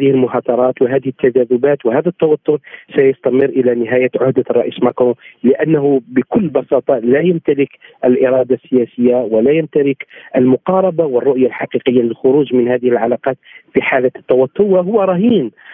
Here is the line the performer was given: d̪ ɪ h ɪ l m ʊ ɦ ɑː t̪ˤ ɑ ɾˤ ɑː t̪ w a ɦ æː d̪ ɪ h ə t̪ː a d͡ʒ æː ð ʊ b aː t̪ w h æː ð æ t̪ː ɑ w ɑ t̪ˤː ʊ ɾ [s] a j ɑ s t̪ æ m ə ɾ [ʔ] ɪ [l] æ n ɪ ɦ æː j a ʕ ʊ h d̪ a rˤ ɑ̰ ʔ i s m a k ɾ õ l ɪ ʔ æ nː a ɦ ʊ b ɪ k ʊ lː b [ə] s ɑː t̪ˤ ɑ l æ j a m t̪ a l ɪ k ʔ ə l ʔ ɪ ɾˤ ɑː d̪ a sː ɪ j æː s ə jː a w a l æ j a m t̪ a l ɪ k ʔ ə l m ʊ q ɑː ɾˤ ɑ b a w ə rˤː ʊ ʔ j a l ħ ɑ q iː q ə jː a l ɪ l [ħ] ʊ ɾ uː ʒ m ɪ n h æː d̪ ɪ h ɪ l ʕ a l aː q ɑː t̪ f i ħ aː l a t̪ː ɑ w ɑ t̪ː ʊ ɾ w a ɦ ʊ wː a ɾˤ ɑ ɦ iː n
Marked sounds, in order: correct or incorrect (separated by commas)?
correct, correct, correct, incorrect, incorrect